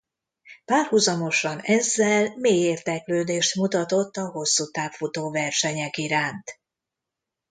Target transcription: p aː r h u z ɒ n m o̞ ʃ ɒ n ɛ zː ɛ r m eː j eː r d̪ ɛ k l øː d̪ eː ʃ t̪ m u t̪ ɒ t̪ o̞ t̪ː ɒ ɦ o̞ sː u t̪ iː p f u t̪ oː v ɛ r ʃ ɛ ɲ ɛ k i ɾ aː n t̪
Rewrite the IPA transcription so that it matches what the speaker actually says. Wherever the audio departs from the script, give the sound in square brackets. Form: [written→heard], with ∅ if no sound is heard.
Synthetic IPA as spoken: p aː r h u z ɒ [n→∅] m o̞ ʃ ɒ n ɛ zː ɛ [r→l] m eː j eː r d̪ ɛ k l øː d̪ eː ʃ t̪ m u t̪ ɒ t̪ o̞ t̪ː ɒ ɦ o̞ sː u t̪ [iː→aː] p f u t̪ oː v ɛ r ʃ ɛ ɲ ɛ k i ɾ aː n t̪

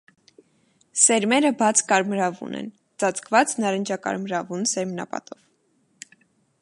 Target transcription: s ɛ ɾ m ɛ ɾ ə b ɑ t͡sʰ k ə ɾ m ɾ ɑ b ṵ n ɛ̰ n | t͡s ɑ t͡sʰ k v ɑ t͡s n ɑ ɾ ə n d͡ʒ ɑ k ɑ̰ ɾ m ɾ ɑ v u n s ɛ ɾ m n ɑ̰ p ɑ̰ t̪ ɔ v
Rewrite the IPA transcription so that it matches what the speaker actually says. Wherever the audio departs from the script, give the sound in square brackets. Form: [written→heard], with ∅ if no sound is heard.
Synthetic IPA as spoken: s ɛ ɾ m ɛ ɾ ə b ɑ t͡sʰ k [ə→ɑ] ɾ m ɾ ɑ [b→v] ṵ n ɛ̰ n | t͡s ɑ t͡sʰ k v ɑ t͡s n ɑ ɾ ə n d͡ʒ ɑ k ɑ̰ ɾ m ɾ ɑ v u n s ɛ ɾ m n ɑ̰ p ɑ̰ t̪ ɔ v

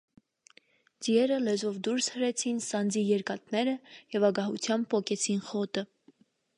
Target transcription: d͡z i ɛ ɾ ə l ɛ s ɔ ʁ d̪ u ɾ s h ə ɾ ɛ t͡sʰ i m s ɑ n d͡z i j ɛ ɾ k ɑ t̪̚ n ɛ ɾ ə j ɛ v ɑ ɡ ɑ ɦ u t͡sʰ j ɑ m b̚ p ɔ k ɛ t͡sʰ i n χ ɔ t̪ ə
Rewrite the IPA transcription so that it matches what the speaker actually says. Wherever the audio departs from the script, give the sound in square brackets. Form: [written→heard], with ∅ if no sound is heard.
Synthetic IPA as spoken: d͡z i ɛ ɾ ə l ɛ [s→z] ɔ [ʁ→v] d̪ u ɾ s h ə ɾ ɛ t͡sʰ i [m→n] s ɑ n d͡z i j ɛ ɾ k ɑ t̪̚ n ɛ ɾ ə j ɛ v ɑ ɡ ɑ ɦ u t͡sʰ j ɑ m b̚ p ɔ k ɛ t͡sʰ i n χ ɔ t̪ ə

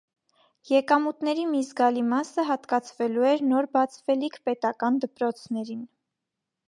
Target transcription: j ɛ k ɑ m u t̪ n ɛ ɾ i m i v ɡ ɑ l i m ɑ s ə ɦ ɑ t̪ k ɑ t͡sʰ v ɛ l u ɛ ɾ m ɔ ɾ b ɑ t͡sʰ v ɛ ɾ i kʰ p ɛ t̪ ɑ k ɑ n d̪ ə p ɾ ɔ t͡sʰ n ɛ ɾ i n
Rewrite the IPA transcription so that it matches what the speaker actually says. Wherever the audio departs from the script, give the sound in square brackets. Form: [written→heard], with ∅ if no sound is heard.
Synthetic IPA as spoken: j ɛ k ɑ m u t̪ n ɛ ɾ i m i [v→z] ɡ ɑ l i m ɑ s ə ɦ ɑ t̪ k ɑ t͡sʰ v ɛ l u ɛ ɾ [m→n] ɔ ɾ b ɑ t͡sʰ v ɛ [ɾ→l] i kʰ p ɛ t̪ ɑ k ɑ n d̪ ə p ɾ ɔ t͡sʰ n ɛ ɾ i n

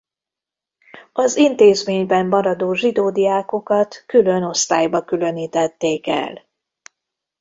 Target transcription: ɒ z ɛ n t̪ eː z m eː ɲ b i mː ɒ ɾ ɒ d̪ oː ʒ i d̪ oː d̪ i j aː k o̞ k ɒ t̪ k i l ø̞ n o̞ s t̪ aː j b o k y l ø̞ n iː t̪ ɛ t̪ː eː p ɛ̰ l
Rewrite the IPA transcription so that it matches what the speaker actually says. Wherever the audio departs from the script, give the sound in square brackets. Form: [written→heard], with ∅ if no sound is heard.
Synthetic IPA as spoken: ɒ z [ɛ→i] n t̪ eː z m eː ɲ b [i→ɛ] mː ɒ ɾ ɒ d̪ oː ʒ i d̪ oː d̪ i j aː k o̞ k ɒ t̪ k [i→y] l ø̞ n o̞ s t̪ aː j b [o→ɒ] k y l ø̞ n iː t̪ ɛ t̪ː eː [p→k] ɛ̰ l

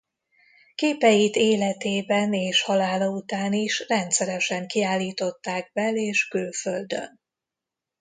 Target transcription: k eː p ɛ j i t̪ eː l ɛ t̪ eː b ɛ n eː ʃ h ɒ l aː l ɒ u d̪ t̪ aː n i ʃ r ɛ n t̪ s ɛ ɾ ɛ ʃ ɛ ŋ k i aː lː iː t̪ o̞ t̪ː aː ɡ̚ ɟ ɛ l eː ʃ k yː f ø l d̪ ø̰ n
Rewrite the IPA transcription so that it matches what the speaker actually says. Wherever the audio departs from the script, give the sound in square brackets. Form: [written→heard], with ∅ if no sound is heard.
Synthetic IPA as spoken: k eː p ɛ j i t̪ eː l ɛ t̪ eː b ɛ n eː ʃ h ɒ l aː l ɒ u [d̪→∅] t̪ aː n i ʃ r ɛ n t̪ s ɛ ɾ ɛ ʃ ɛ ŋ k i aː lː iː t̪ o̞ t̪ː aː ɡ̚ [ɟ→b] ɛ l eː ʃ k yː f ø l d̪ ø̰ n

